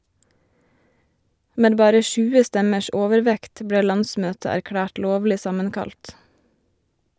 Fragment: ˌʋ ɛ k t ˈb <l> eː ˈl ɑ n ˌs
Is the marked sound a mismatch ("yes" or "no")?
yes